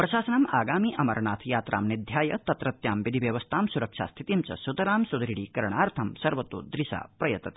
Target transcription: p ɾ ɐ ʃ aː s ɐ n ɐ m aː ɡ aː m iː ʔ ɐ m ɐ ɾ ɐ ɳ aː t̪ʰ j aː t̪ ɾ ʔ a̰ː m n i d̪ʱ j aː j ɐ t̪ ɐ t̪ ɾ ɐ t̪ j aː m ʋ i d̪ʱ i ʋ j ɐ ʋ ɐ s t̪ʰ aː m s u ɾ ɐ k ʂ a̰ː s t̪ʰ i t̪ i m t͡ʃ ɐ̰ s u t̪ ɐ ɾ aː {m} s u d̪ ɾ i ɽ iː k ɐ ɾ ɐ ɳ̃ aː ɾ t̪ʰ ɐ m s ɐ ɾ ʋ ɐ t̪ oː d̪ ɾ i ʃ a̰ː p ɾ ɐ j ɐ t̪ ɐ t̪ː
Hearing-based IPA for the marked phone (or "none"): m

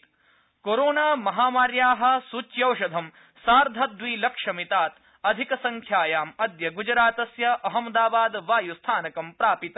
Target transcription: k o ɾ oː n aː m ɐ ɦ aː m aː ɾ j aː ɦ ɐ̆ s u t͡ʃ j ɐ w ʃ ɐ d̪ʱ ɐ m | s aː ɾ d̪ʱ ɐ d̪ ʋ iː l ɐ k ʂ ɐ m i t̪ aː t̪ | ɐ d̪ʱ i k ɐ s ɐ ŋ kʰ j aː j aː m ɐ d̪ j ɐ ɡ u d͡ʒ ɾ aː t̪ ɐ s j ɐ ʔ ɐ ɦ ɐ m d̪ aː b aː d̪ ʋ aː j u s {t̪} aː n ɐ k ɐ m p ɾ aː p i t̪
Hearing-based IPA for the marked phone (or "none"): t̪ʰ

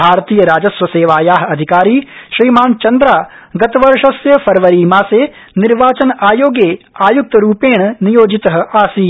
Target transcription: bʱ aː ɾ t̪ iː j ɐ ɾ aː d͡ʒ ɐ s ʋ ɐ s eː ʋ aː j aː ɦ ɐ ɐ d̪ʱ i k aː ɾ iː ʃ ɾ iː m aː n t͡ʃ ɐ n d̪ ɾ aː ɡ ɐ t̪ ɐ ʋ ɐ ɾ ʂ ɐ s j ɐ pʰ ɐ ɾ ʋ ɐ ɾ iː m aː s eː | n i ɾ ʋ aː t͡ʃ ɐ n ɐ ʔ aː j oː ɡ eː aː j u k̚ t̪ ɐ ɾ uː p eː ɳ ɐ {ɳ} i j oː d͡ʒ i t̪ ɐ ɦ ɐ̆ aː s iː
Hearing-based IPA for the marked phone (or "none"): n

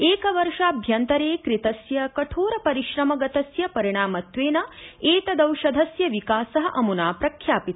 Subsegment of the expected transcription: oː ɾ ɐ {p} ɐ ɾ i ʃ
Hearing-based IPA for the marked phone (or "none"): p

